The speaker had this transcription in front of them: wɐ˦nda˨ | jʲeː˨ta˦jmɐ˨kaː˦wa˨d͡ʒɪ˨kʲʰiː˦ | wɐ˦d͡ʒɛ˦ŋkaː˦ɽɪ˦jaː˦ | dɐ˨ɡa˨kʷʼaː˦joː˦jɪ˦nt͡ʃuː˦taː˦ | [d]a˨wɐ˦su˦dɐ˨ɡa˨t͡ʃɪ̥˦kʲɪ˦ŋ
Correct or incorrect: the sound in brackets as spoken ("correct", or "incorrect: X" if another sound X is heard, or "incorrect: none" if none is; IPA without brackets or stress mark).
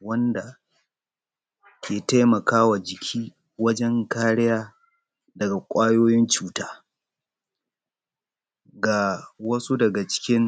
incorrect: ɡ